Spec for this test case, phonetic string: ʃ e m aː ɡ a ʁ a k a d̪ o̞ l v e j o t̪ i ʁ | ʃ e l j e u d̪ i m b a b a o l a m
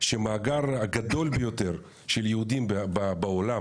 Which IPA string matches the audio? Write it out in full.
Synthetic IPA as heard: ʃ e m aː ɡ a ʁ a ɡ a d̪ o̞ l b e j o t̪ e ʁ | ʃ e l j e u d̪ i m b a b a o l a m